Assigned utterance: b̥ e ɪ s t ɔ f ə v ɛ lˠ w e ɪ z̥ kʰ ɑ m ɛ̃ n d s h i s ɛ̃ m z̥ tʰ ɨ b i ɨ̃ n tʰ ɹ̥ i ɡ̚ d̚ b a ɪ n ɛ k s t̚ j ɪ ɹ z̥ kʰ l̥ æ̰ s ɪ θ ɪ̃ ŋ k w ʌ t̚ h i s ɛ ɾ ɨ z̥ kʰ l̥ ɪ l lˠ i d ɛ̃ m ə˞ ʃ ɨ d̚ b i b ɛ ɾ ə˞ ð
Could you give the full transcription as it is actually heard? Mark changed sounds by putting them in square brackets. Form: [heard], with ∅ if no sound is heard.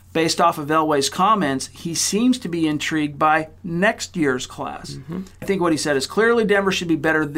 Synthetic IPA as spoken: b̥ e ɪ s t ɔ f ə v ɛ lˠ w e ɪ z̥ kʰ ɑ m ɛ̃ n [t] s h i s [ĩ] m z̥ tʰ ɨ b i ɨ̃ n tʰ ɹ̥ i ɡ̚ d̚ b a ɪ n ɛ k s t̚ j ɪ ɹ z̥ kʰ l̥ æ̰ s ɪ θ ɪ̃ ŋ k w ʌ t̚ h i s ɛ ɾ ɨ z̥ kʰ l̥ ɪ [ɹ] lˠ i d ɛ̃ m ə˞ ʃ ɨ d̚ b i b ɛ ɾ ə˞ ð